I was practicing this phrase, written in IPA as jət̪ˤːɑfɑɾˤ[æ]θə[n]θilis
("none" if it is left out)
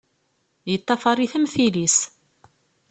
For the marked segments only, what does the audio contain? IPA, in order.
i, m

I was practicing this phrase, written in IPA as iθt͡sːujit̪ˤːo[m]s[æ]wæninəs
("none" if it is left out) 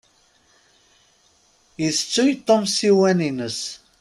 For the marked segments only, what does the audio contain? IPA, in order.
m, i

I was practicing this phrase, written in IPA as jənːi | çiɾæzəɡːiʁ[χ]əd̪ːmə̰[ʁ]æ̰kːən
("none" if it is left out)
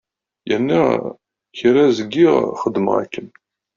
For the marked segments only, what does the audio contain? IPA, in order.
χ, ʁ

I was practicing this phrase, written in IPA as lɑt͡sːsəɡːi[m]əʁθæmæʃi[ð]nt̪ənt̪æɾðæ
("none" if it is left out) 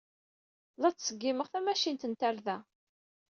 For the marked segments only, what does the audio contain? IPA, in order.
m, none

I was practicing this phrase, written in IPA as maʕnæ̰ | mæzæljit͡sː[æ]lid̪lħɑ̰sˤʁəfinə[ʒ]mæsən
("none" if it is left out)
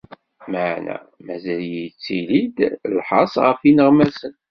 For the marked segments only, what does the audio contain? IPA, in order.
i, ʁ

